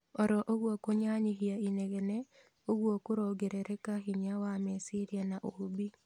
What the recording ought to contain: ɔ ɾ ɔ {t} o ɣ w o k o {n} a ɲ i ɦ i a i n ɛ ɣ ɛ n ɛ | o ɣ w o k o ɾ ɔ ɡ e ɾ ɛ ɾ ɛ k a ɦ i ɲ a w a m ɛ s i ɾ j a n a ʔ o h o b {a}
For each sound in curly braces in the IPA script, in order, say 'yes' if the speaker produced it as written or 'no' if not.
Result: no, no, no

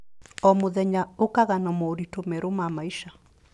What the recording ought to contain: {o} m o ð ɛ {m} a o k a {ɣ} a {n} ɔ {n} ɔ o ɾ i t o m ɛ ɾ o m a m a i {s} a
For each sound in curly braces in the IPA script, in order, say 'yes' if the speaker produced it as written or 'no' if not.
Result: no, no, yes, yes, no, no

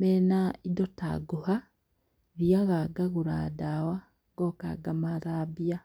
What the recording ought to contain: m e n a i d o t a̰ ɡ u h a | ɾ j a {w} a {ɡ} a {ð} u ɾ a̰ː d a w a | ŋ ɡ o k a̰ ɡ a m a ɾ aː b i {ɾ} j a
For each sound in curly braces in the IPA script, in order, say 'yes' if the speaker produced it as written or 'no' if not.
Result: no, yes, no, no

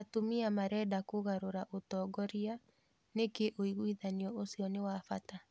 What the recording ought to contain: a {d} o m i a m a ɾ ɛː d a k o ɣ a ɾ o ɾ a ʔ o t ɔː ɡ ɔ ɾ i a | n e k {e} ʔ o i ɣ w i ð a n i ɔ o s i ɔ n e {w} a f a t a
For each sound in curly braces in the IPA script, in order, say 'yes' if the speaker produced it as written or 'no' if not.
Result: no, yes, yes

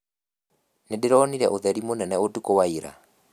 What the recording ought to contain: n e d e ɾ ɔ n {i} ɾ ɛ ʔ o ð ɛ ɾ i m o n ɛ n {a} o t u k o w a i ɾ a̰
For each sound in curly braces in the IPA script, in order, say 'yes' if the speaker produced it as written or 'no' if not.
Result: yes, no

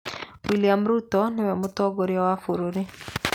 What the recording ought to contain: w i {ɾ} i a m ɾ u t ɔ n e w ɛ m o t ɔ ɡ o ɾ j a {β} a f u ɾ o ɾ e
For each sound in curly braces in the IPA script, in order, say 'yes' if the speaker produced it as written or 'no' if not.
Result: no, no

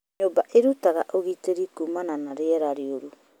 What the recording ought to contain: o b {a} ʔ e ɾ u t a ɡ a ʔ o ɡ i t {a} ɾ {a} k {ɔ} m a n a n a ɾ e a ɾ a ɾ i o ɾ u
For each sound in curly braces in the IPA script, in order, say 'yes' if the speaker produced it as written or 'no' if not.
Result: yes, no, no, no

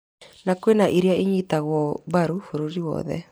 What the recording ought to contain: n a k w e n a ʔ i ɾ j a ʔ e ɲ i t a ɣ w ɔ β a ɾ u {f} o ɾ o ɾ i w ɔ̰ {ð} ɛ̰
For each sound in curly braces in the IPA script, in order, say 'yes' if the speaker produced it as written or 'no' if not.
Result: yes, yes

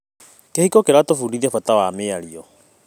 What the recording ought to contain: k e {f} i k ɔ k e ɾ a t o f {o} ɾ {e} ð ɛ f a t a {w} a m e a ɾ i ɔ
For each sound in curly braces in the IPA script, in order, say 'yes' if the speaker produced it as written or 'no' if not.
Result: no, no, no, yes

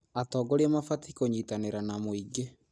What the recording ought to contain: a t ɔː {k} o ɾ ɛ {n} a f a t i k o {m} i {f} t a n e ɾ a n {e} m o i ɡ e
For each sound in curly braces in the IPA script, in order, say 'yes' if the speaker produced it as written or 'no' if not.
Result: no, no, no, no, no

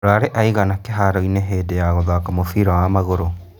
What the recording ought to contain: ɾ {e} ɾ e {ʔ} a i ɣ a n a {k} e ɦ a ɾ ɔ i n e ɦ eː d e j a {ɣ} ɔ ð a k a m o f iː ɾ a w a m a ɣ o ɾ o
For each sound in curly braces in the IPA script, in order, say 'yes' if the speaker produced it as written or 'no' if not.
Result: no, yes, yes, yes

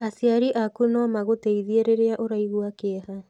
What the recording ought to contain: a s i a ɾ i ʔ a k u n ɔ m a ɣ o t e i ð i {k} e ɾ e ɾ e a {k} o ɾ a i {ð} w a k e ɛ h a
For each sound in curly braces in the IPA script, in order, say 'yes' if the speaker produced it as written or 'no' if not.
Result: no, no, no

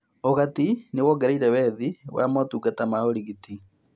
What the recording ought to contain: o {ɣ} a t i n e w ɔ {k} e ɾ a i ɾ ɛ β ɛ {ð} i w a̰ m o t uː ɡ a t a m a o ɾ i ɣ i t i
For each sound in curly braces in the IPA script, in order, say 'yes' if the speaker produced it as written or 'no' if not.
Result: yes, no, yes

